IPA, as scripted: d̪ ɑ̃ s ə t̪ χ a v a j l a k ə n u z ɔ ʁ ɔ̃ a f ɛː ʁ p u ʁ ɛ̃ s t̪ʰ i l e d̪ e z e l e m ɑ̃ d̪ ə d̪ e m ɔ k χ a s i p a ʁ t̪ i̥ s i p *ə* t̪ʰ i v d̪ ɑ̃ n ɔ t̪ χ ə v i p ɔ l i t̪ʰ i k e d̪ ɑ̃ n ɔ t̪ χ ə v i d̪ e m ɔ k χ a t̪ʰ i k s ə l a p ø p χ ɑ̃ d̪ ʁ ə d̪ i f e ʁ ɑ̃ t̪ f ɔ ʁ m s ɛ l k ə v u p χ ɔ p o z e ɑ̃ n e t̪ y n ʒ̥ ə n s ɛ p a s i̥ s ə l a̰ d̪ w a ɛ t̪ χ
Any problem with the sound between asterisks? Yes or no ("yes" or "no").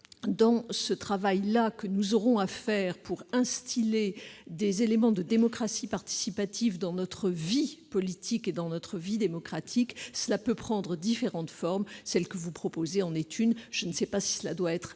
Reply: yes